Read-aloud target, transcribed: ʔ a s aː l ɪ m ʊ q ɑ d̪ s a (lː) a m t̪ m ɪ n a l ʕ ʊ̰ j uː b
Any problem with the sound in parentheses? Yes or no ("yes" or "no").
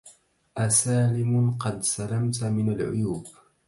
yes